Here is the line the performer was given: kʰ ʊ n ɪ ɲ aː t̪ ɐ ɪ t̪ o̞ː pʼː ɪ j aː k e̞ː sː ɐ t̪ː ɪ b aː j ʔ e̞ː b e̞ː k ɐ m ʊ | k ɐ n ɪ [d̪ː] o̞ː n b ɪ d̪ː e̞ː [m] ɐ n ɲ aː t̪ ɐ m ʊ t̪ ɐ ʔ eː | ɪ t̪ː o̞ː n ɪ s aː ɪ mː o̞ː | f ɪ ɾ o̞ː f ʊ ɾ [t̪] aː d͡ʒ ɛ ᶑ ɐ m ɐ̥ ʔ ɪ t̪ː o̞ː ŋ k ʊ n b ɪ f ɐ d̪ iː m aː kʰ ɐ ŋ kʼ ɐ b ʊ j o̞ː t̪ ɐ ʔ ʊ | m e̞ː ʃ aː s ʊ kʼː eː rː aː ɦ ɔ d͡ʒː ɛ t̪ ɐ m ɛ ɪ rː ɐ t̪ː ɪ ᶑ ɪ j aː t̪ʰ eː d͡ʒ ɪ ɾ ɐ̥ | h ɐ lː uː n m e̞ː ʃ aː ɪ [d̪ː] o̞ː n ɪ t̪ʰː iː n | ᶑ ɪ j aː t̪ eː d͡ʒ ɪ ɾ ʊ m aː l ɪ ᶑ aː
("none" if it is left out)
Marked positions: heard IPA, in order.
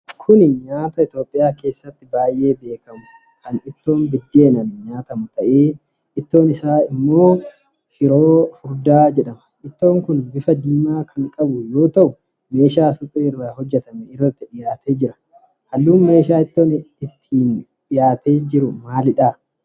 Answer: t̪ː, n, d̪, t̪ː

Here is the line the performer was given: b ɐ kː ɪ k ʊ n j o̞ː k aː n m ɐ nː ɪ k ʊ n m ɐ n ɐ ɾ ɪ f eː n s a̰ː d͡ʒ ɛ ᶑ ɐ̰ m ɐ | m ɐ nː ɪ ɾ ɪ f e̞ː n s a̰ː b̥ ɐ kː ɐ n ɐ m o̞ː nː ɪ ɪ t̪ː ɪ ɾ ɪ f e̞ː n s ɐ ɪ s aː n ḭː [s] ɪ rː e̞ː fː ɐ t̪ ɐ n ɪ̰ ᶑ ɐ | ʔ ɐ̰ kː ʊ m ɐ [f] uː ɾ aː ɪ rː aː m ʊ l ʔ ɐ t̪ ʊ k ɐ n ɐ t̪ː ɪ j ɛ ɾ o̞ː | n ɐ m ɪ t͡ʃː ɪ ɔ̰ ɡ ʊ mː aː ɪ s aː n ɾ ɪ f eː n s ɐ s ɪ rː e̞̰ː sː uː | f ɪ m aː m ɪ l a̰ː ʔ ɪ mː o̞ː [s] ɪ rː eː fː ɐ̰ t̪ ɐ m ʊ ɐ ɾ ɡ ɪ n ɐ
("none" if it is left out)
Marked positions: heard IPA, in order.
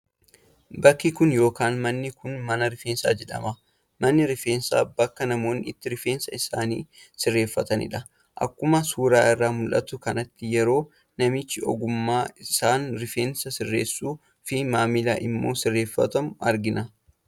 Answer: s, s, s

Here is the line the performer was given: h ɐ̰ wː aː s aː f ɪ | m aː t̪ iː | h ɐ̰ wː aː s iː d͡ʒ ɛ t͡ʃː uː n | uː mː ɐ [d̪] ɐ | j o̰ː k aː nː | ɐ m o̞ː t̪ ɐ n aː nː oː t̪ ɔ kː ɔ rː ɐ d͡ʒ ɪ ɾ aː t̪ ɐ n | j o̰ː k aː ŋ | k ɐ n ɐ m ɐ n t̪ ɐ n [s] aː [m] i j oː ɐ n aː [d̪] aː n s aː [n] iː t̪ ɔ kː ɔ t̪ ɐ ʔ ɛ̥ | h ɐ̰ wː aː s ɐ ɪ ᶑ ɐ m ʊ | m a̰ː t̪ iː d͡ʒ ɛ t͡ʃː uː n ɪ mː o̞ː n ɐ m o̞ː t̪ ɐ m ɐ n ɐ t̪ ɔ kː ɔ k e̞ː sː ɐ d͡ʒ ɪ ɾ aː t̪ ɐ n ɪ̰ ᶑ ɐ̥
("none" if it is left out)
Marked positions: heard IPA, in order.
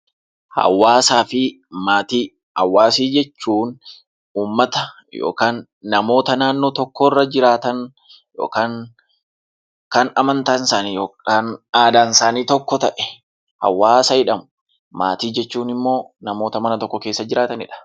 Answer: t̪, s, n, d̪, n

